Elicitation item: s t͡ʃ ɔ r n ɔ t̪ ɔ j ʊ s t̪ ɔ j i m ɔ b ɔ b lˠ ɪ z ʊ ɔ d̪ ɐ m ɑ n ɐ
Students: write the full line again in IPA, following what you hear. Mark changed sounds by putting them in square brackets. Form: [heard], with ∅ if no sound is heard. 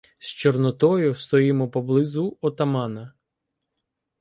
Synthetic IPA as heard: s t͡ʃ ɔ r n ɔ t̪ ɔ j ʊ s t̪ ɔ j i m ɔ [p] ɔ b lˠ ɪ z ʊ ɔ [t̪] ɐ m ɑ n ɐ